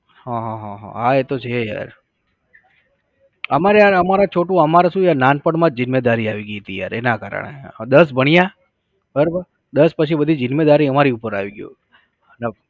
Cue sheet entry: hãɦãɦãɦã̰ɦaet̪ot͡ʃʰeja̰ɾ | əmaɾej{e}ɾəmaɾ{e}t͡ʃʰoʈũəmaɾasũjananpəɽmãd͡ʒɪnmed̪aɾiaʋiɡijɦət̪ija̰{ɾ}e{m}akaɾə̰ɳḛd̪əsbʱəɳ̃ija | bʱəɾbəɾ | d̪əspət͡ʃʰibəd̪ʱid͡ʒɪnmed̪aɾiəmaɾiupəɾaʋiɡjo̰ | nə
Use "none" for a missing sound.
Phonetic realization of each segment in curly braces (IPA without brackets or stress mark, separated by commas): a, a, ɾ, n